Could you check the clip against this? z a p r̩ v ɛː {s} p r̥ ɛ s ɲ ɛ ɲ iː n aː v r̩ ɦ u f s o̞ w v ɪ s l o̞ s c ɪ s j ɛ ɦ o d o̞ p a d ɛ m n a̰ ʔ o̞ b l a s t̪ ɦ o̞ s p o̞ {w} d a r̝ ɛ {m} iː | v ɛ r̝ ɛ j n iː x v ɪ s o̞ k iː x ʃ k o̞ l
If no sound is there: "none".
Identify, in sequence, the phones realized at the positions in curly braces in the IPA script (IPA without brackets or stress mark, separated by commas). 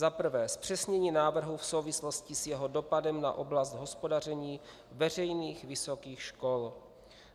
s, none, ɲ